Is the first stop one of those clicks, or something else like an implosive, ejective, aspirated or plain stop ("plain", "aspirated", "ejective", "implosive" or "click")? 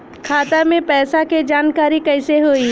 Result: aspirated